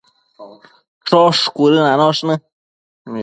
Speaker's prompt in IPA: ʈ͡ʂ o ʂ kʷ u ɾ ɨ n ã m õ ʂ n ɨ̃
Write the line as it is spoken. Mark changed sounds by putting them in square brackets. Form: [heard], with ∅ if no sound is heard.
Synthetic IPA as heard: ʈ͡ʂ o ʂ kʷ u ɾ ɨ n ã [n] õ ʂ n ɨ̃